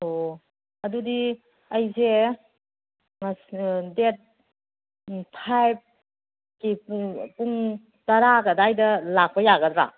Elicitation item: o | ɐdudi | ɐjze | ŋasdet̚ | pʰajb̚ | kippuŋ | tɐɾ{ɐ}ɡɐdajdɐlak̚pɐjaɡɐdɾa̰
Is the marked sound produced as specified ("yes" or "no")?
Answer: no